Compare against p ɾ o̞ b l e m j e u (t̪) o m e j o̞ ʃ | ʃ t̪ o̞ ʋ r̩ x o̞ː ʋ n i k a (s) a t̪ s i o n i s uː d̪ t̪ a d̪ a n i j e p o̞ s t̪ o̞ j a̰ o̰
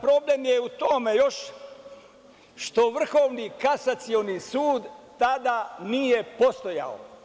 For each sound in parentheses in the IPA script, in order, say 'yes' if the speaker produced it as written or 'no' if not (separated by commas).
yes, yes